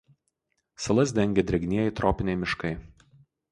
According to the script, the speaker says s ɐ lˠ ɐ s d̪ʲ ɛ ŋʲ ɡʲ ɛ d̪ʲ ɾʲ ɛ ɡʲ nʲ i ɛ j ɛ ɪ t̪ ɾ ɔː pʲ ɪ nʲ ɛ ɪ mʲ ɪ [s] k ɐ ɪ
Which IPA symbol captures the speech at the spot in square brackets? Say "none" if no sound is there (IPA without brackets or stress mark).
ʃ